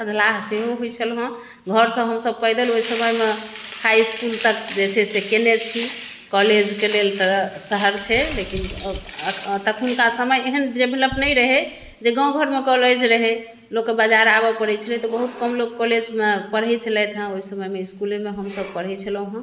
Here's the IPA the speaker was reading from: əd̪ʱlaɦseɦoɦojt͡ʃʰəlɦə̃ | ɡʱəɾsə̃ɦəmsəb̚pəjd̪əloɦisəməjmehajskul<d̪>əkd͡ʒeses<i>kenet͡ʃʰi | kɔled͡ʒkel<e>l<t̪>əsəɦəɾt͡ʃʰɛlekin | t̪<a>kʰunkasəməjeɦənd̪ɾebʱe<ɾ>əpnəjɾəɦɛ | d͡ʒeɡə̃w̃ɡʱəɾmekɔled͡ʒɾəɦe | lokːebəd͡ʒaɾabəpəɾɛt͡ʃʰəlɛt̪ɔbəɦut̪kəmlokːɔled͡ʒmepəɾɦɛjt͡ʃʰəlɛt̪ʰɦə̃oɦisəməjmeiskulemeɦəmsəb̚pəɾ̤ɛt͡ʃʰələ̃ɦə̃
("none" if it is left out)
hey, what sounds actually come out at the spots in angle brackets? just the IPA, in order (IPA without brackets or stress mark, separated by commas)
t̪, e, e, t̪, ə, l